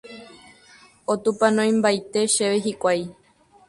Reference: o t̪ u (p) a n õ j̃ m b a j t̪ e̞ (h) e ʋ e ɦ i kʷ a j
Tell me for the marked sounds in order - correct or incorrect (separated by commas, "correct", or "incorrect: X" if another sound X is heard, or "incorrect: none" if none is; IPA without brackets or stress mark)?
correct, incorrect: ʃ